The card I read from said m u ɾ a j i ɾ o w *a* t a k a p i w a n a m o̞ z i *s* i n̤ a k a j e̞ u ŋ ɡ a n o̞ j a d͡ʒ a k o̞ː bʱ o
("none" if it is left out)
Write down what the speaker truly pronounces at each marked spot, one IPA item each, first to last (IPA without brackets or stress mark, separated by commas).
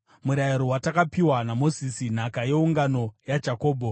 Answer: a, s